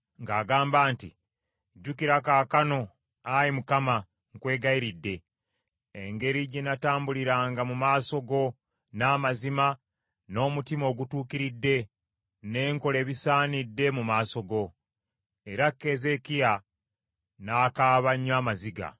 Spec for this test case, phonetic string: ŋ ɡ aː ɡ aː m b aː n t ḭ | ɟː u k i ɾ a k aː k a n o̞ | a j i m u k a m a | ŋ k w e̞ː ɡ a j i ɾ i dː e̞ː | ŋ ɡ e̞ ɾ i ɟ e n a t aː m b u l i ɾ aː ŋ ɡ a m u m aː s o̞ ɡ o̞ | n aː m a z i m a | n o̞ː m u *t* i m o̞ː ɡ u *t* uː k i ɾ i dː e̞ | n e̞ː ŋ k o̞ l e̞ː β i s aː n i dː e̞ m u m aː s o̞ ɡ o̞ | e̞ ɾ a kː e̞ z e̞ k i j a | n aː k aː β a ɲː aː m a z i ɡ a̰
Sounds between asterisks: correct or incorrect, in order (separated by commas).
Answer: correct, correct